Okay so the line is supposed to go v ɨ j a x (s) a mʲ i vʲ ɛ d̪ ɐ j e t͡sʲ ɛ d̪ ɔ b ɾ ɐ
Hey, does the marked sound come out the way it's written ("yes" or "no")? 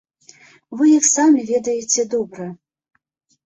yes